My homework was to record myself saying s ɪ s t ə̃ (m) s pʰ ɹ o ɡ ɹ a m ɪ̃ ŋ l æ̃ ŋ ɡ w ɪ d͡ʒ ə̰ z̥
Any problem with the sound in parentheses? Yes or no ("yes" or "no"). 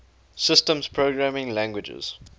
no